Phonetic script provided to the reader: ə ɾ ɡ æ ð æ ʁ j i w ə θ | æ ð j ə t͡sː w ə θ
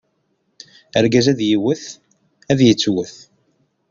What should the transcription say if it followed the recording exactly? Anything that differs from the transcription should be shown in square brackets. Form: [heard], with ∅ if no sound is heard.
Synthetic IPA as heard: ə ɾ ɡ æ [z] æ [ð] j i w ə θ | æ ð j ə t͡sː w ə θ